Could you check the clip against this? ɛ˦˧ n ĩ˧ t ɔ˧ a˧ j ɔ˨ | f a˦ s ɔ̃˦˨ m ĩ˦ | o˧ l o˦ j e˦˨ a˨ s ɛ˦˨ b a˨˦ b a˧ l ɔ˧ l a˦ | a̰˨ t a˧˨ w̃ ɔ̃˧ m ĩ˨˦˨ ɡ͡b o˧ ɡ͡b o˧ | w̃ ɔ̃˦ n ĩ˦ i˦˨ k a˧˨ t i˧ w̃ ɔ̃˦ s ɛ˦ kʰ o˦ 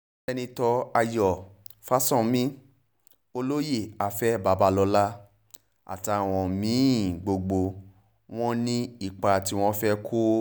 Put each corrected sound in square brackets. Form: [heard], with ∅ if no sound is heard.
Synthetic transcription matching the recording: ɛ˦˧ n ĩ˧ t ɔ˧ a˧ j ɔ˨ | f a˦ s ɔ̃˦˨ m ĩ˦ | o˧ l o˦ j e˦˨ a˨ [f] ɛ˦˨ b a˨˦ b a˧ l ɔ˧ l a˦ | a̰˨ t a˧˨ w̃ ɔ̃˧ m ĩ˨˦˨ ɡ͡b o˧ ɡ͡b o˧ | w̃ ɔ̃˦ n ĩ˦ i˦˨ [k͡p] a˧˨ t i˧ w̃ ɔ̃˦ [f] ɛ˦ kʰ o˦